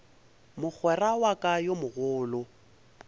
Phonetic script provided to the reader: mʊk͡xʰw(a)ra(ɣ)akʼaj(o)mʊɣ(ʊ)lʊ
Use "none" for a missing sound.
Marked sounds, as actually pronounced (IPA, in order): ɛ, w, o, ʊː

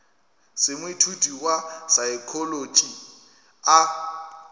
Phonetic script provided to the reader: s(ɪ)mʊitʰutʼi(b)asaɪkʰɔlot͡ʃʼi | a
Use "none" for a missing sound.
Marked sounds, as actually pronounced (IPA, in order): ɪ, w

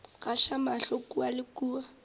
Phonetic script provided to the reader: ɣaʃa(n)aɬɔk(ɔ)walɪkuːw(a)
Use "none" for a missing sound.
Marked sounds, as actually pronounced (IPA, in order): m, u, a

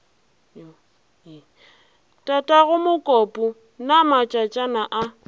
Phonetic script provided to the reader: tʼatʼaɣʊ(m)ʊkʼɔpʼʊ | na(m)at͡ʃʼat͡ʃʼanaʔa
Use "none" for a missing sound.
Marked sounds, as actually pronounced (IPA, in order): m, m

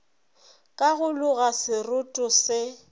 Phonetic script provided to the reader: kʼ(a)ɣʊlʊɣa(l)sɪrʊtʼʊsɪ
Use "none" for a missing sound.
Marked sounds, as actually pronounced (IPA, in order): a, none

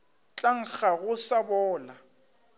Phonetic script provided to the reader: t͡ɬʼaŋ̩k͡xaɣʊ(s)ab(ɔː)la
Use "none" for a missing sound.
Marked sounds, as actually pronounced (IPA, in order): s, ɔː

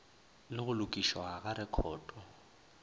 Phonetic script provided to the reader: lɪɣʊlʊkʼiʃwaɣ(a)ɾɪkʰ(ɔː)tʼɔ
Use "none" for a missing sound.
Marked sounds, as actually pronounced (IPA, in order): a, ɔː

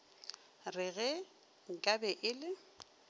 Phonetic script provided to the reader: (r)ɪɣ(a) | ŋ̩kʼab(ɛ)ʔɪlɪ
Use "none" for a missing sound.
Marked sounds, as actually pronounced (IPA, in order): r, ɛ, ɛ

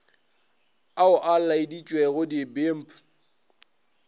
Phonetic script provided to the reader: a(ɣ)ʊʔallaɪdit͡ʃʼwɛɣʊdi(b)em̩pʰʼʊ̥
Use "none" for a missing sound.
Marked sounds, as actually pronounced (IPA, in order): none, b

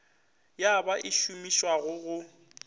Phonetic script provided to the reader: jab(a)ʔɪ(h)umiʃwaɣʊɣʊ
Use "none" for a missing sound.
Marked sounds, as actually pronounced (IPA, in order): a, ʃ

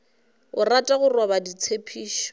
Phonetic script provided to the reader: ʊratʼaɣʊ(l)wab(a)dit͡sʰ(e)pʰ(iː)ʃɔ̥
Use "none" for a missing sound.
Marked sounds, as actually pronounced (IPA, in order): r, a, e, iː

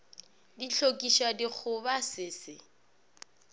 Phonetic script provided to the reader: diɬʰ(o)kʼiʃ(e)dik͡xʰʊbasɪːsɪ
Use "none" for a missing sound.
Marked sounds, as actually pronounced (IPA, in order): o, a

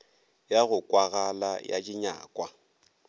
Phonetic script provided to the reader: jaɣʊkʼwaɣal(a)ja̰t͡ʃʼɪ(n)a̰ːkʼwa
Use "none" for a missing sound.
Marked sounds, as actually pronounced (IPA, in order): a, ɲ

